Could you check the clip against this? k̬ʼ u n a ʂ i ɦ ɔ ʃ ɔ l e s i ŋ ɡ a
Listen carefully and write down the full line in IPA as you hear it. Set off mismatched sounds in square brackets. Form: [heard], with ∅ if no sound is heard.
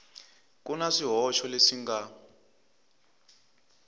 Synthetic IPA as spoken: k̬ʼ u n a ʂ i ɦ ɔ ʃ ɔ l e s i ŋ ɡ a